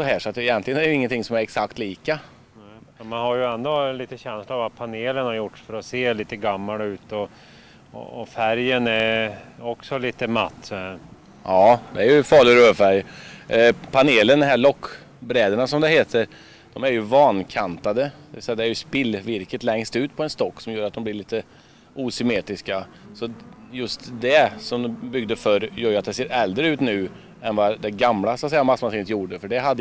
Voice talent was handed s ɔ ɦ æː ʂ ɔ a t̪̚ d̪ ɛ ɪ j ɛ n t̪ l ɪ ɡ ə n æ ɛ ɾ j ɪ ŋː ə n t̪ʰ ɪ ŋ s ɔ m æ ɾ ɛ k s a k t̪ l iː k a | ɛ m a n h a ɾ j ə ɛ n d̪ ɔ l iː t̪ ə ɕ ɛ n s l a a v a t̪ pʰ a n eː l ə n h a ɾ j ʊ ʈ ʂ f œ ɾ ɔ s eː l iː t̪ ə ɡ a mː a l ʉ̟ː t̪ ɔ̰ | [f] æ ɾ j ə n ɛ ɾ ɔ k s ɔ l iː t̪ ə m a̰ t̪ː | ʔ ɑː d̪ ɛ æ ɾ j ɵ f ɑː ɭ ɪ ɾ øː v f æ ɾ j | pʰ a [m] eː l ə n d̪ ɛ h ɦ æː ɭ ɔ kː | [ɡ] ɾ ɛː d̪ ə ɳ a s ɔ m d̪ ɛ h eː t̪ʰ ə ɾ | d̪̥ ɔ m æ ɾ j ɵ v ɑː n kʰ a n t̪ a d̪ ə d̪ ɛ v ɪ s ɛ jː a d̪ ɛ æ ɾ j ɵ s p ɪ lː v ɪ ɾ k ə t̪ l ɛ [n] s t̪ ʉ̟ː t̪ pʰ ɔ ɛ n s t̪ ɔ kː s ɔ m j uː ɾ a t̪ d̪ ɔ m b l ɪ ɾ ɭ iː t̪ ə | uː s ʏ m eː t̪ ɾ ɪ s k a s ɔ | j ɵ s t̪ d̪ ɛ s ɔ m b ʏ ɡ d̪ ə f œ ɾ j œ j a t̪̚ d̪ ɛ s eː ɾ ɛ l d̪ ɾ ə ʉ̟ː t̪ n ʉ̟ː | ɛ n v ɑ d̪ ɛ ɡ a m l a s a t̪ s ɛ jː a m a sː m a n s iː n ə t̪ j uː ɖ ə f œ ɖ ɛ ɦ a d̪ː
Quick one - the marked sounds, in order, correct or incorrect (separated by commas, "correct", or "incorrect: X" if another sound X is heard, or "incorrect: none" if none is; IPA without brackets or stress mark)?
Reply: correct, incorrect: n, incorrect: b, incorrect: ŋ